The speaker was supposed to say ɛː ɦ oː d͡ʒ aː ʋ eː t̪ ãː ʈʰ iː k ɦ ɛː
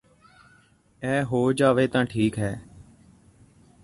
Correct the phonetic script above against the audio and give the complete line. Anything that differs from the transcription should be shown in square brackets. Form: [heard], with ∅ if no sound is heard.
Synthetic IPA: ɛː ɦ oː d͡ʒ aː ʋ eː t̪ ãː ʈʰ iː k ɦ ɛː